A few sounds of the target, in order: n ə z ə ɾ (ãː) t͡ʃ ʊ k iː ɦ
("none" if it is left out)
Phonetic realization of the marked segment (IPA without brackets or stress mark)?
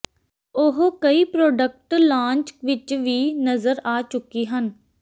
aː